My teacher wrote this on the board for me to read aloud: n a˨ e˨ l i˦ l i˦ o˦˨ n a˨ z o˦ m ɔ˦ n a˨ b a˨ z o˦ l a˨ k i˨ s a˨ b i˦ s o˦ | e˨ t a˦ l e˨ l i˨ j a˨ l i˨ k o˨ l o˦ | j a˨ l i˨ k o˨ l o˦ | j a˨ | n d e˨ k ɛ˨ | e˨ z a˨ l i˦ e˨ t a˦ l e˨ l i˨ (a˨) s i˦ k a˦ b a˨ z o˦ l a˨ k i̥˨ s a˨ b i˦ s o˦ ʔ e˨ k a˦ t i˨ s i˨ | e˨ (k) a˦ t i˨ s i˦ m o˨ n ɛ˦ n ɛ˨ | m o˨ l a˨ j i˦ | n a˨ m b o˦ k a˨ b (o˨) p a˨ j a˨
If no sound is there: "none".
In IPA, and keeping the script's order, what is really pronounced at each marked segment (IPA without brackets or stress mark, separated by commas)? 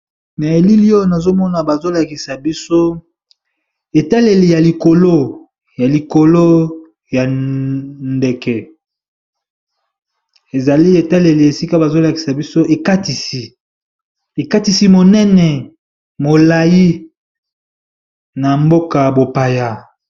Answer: e˨, k, o˨